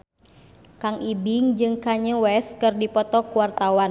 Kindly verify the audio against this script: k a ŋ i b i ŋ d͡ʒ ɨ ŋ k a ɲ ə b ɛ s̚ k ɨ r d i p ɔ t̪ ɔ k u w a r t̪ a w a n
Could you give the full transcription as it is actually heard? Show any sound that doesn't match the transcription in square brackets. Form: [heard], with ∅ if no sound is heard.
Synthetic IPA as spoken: k a ŋ i b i ŋ d͡ʒ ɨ ŋ k a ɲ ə [w] ɛ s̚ k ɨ r d i p ɔ t̪ ɔ k u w a r t̪ a w a n